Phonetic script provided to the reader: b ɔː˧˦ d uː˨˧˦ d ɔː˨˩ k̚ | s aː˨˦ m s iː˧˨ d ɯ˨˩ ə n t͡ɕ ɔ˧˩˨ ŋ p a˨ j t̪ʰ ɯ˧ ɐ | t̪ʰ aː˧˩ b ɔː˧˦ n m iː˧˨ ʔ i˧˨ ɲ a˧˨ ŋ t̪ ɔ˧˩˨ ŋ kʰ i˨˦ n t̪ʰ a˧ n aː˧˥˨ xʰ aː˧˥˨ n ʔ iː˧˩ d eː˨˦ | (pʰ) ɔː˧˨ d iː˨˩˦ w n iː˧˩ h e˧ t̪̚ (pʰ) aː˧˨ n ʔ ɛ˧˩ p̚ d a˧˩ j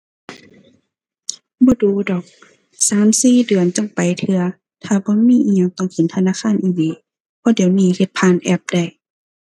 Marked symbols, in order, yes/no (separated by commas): yes, yes